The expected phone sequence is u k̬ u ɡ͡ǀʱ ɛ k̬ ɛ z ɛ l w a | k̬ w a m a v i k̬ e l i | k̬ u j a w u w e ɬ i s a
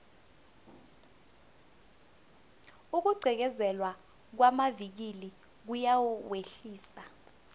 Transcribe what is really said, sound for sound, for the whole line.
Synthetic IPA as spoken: u k̬ u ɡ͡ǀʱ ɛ k̬ ɛ z ɛ l w a | k̬ w a m a v i k̬ i l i | k̬ u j a w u w e ɬ iː s a